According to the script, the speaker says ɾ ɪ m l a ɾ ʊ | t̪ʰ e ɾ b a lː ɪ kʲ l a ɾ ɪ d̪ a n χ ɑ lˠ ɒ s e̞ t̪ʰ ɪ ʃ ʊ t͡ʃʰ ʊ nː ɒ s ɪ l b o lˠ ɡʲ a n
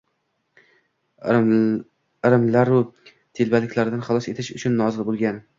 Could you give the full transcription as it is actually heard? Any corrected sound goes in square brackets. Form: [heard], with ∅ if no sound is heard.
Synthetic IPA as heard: ɾ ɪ m l a ɾ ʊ | t̪ʰ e [l] b a [l] ɪ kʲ l a ɾ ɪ d̪ a n χ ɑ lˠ ɒ s e̞ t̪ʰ ɪ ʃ ʊ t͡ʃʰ ʊ nː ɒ [z] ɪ l b o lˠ ɡʲ a n

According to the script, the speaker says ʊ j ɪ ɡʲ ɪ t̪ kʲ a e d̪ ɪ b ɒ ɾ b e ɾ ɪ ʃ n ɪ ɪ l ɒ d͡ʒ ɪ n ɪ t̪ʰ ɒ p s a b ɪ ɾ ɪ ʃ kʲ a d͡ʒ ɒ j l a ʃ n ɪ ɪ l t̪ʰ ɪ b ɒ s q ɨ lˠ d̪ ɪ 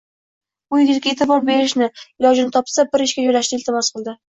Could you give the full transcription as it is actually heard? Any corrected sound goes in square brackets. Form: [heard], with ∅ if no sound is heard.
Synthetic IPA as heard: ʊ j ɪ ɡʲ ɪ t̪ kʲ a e [t̪] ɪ b ɒ ɾ b e ɾ ɪ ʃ n ɪ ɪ l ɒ d͡ʒ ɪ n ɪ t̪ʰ ɒ p s a b ɪ ɾ ɪ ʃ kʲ a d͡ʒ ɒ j l a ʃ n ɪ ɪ l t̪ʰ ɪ [m] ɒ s q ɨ lˠ d̪ ɪ

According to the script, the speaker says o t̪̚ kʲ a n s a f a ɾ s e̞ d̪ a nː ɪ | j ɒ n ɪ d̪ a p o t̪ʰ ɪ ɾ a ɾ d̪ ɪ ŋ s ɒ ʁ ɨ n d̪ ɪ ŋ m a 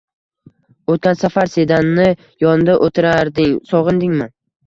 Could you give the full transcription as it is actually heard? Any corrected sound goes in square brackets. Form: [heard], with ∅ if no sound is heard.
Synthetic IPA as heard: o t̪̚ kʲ a n s a f a ɾ s e̞ d̪ a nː ɪ | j ɒ n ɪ d̪ a [ʔ] o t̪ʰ ɪ ɾ a ɾ d̪ ɪ ŋ s ɒ ʁ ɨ n d̪ ɪ ŋ m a

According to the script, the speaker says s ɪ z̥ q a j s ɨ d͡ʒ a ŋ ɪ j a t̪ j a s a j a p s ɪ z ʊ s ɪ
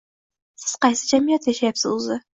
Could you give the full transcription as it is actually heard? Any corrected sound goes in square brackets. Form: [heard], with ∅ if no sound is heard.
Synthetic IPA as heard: s ɪ z̥ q [ɑ] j s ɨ d͡ʒ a [m] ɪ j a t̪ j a [ʃ] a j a p s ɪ z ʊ [z] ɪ

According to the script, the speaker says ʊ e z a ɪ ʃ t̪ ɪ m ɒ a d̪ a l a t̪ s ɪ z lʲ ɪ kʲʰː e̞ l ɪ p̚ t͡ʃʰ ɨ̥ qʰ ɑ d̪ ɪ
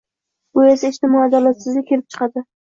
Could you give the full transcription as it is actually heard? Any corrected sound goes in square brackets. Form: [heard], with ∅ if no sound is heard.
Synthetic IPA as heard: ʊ e [s] a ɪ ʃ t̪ ɪ m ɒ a d̪ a l a t̪ s ɪ z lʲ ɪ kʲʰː e̞ l ɪ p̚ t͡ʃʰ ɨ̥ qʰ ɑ d̪ ɪ

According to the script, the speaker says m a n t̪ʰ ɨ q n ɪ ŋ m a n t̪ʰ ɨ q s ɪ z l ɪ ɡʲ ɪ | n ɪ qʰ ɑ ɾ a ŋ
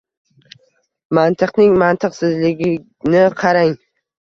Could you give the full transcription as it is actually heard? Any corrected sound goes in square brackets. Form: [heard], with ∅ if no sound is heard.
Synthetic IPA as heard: m a n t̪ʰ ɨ q n ɪ ŋ m a n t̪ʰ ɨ q s ɪ z l ɪ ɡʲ ɪ | n ɪ qʰ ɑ ɾ a ŋ

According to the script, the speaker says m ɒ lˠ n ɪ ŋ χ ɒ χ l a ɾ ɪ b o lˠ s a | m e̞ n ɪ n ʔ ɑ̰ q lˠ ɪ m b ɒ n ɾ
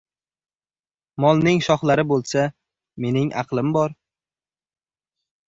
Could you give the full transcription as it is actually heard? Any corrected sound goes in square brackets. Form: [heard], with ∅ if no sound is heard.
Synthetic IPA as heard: m ɒ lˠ n ɪ ŋ [ʃ] ɒ χ l a ɾ ɪ b o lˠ s a | m e̞ n ɪ [ŋ] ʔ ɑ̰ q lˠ ɪ m b ɒ [∅] ɾ

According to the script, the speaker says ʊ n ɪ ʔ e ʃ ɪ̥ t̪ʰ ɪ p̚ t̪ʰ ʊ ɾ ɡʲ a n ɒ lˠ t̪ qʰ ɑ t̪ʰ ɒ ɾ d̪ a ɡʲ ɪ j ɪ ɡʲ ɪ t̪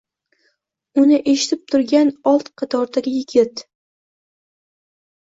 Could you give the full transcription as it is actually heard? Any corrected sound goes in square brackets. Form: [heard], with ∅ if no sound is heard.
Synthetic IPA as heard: ʊ n ɪ ʔ e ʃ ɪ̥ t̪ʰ ɪ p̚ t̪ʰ ʊ ɾ ɡʲ a n ɒ lˠ t̪ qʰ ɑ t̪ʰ ɒ ɾ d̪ a ɡʲ ɪ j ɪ ɡʲ ɪ t̪

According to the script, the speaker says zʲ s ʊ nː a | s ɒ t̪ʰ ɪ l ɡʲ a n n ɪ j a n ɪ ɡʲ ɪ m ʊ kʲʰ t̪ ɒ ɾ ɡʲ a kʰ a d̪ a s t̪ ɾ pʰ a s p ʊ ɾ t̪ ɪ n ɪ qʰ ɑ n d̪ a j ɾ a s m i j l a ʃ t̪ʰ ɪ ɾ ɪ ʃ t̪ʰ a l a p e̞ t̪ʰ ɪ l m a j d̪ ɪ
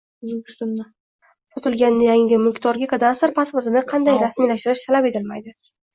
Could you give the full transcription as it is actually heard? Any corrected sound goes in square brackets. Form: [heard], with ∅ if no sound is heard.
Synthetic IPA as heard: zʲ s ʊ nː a | s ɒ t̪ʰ ɪ l ɡʲ a n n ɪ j a [ŋ] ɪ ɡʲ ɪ m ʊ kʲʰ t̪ ɒ ɾ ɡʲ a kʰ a d̪ a s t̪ ɾ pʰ a s p ʊ ɾ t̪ ɪ n ɪ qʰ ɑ n d̪ a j ɾ a s m i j l a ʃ [t̪] ɪ ɾ ɪ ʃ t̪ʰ a l a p e̞ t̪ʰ ɪ l m a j d̪ ɪ

